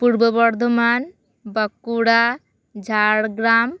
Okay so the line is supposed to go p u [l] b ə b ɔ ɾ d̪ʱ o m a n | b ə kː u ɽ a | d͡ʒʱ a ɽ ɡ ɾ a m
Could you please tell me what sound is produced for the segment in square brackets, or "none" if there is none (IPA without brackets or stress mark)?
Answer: ɾ